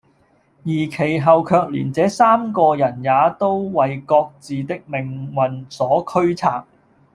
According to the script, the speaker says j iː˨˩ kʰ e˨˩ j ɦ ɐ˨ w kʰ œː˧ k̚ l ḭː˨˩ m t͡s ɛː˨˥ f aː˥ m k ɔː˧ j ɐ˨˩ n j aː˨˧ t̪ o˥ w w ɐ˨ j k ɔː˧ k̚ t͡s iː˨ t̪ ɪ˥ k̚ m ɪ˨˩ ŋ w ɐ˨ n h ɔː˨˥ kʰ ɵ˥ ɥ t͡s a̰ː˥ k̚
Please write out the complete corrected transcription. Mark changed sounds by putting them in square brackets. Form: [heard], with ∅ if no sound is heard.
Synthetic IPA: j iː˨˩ kʰ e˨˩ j ɦ ɐ˨ w kʰ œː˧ k̚ l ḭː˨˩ [n] t͡s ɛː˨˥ [s] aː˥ m k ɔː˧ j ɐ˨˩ n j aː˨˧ t̪ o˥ w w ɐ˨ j k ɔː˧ k̚ t͡s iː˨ t̪ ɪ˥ k̚ m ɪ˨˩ ŋ w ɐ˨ n [s] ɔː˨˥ kʰ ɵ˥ ɥ [t͡sʰ] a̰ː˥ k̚